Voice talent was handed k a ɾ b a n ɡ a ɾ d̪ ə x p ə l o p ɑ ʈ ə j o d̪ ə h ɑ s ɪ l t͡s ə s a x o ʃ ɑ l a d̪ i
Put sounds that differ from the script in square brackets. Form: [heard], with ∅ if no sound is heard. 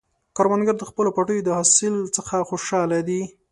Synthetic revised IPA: k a ɾ [w] a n ɡ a ɾ d̪ ə x p ə l o p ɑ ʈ ə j o d̪ ə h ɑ s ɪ l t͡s ə [x] a x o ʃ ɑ l a d̪ i